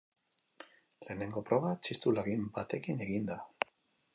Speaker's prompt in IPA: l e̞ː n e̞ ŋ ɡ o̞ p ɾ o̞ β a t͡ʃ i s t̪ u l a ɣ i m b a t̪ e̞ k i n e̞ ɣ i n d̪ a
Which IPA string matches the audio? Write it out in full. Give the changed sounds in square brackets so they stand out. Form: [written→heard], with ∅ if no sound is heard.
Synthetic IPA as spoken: l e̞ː n e̞ ŋ ɡ o̞ p ɾ o̞ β a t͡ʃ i s t̪ u l a ɣ i m b a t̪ e̞ k i n e̞ ɣ i n d̪ a